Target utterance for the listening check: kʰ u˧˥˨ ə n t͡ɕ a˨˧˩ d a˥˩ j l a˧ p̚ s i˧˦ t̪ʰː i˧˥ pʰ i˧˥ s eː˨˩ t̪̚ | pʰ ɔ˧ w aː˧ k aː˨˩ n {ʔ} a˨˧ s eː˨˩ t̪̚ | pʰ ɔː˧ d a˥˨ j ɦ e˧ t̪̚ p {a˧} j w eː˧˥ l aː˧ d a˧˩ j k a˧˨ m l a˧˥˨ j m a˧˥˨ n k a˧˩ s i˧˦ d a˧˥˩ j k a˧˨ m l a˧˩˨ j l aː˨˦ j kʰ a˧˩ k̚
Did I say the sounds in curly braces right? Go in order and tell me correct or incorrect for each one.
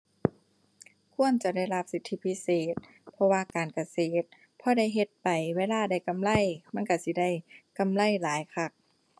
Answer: incorrect: k, incorrect: a˨˩

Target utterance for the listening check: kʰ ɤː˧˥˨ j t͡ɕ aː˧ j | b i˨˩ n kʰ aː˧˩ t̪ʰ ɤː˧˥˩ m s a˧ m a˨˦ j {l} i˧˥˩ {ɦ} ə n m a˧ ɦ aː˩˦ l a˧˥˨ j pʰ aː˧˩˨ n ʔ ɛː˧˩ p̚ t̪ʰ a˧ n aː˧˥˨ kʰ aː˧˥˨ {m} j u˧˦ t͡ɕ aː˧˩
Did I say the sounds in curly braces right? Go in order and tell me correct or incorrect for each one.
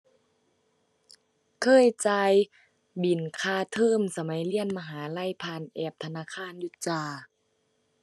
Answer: correct, incorrect: none, incorrect: n

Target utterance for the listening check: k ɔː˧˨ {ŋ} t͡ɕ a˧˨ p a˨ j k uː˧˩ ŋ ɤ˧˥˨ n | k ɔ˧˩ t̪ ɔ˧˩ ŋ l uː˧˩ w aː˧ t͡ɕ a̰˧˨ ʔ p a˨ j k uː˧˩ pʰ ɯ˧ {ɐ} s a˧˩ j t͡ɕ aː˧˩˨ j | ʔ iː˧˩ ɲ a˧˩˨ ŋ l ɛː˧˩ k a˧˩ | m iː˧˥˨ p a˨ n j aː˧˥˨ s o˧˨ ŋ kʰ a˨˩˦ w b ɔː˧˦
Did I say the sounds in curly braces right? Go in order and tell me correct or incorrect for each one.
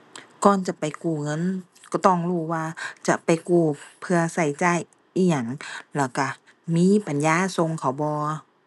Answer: incorrect: n, correct

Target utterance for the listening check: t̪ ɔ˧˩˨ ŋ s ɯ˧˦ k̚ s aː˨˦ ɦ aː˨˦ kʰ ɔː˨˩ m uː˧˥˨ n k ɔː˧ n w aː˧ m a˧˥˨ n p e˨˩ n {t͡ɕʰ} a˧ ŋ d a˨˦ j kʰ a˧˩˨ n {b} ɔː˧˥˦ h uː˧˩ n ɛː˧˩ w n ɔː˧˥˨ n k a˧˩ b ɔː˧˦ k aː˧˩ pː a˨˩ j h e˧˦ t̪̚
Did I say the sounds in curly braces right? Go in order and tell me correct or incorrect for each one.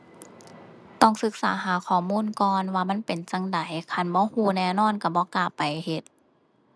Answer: incorrect: t͡ɕ, correct

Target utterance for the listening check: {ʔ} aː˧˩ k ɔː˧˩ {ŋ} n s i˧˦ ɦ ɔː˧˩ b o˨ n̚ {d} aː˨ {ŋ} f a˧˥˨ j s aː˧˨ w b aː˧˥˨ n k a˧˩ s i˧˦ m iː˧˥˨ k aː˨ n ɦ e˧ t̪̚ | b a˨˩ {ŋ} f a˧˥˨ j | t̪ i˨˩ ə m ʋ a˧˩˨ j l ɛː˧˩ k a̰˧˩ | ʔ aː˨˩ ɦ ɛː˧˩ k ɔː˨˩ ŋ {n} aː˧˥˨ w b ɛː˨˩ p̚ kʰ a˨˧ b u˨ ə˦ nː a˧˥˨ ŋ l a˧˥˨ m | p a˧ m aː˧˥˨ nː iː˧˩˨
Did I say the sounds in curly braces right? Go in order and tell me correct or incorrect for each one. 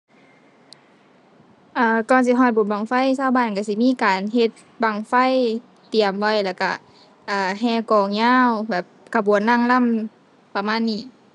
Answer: correct, incorrect: none, incorrect: b, correct, correct, incorrect: ɲ

